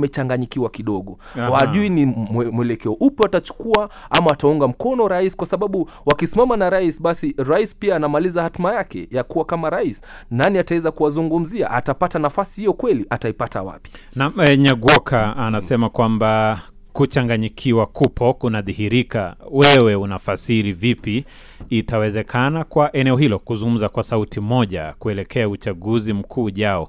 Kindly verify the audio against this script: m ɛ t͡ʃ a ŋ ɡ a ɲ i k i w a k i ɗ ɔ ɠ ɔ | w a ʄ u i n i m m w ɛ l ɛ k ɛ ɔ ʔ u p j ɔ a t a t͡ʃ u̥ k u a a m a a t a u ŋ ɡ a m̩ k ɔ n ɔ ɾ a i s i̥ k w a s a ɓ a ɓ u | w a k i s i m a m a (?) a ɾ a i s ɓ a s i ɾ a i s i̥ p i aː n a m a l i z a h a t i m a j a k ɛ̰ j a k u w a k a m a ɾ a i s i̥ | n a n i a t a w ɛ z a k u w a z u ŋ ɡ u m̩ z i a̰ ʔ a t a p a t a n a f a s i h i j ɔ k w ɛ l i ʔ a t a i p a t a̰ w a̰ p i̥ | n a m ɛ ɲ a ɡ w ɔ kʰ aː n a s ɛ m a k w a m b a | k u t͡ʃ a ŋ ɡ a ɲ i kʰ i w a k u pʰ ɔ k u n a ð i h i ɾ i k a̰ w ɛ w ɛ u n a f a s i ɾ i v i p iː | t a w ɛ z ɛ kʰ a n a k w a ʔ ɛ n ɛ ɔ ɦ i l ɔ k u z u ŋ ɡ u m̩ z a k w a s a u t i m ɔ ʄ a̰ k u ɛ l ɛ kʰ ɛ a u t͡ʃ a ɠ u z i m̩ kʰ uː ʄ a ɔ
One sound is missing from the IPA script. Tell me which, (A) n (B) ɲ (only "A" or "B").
A